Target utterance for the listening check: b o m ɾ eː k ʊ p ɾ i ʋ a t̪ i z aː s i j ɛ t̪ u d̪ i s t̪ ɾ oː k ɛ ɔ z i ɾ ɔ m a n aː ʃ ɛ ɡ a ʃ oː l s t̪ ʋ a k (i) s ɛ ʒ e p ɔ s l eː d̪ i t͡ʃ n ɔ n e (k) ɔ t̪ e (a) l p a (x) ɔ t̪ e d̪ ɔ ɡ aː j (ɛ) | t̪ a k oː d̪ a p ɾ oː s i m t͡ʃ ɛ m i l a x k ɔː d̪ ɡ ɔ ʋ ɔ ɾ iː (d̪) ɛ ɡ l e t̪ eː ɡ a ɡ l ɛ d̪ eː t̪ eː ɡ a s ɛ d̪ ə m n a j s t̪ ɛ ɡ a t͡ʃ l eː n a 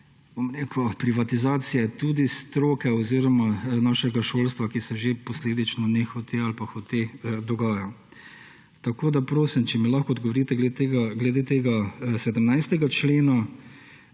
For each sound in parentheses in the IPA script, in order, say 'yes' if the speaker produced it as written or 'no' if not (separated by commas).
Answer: yes, no, yes, yes, no, no